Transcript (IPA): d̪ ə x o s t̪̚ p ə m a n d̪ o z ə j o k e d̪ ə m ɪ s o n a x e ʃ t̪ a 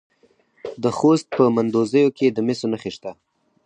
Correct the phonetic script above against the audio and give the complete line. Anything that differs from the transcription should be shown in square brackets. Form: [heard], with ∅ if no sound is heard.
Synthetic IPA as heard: d̪ ə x o s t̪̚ p ə m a n d̪ o z ə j o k e d̪ ə m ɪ s o n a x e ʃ t̪ a